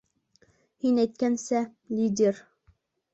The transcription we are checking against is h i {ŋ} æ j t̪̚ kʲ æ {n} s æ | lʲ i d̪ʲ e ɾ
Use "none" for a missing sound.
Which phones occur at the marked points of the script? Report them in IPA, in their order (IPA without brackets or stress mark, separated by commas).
n, n